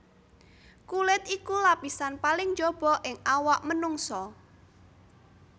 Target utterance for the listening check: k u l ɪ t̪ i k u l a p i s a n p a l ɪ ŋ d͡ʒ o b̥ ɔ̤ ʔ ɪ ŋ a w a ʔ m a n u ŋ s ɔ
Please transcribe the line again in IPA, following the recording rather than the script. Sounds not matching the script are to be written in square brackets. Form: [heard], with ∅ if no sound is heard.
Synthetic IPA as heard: k u l ɪ t̪ i k u l a p i s a n p a l ɪ ŋ d͡ʒ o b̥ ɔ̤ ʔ ɪ ŋ a w a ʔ m [ə] n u ŋ s ɔ

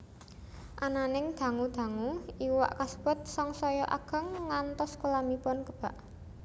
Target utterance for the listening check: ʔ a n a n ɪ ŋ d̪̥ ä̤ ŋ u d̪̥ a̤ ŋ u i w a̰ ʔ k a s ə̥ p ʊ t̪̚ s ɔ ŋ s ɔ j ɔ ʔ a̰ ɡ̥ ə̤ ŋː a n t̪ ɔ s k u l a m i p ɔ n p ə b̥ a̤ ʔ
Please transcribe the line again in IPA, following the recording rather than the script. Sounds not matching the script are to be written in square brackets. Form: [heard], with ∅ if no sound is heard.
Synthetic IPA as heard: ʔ a n a n ɪ ŋ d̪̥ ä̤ ŋ u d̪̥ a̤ ŋ u i w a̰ ʔ k a s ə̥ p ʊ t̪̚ s ɔ ŋ s ɔ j ɔ ʔ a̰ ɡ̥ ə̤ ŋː a n t̪ ɔ s k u l a m i p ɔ n [k] ə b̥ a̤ ʔ

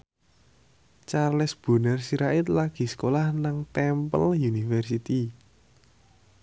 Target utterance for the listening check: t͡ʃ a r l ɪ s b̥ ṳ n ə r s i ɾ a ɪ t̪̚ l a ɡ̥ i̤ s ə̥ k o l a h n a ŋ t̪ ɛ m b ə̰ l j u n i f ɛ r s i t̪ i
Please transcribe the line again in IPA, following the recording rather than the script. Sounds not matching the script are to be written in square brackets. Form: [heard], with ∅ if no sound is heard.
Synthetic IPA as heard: t͡ʃ a r l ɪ s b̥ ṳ n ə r s i ɾ a ɪ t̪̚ l a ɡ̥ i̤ s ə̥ k o l a h n a ŋ t̪ ɛ m [p] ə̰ l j u n i f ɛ r s i t̪ i

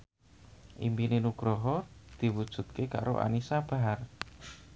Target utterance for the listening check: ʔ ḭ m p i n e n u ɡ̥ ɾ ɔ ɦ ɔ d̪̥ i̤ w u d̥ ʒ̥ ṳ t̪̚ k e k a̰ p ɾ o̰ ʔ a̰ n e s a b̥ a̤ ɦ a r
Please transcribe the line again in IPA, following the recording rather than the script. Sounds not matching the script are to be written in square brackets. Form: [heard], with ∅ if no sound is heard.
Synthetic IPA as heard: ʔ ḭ m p i n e n u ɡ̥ ɾ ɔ ɦ ɔ d̪̥ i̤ w u d̥ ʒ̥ ṳ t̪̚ k e k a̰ [∅] ɾ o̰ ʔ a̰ n [i] s a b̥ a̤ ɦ a r

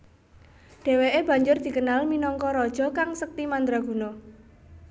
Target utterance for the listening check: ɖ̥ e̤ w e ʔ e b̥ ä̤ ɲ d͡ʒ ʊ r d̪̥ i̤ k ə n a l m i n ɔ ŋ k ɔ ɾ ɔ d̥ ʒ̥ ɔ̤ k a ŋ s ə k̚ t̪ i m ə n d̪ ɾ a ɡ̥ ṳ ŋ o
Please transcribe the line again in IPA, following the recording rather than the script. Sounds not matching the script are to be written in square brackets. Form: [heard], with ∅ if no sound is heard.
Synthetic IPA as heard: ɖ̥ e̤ w e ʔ e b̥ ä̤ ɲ d͡ʒ ʊ r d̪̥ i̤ k ə n a l m i n ɔ ŋ k ɔ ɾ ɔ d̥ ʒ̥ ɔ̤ k a ŋ s ə k̚ t̪ i m [a] n d̪ ɾ a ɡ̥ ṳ [n] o

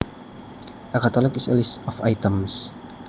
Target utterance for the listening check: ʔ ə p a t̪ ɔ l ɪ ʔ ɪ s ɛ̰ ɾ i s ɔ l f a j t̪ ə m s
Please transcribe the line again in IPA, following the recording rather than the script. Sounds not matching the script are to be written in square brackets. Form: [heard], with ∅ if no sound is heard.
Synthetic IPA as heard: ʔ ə [k] a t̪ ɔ l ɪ [k] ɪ s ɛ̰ [l] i s ɔ [∅] f a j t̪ ə m s

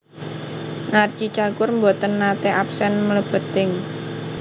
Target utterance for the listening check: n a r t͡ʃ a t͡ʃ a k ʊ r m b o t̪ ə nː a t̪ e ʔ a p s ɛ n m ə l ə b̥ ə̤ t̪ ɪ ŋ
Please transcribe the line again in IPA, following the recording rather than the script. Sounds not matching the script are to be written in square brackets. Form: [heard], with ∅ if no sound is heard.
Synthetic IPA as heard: n a r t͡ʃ [i] t͡ʃ a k ʊ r m b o t̪ ə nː a t̪ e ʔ a p s ɛ n m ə l ə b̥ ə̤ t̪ ɪ ŋ

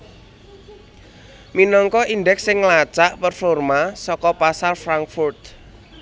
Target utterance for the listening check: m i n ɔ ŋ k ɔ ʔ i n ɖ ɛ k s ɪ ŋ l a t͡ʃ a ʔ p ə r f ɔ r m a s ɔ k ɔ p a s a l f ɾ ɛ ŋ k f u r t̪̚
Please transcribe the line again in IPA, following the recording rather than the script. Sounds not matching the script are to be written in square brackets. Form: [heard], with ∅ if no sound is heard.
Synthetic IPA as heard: m i n ɔ ŋ k ɔ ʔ i n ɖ ɛ k s ɪ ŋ l a t͡ʃ a ʔ p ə r f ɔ r m a s ɔ k ɔ p a s a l f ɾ [a] ŋ k f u r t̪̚

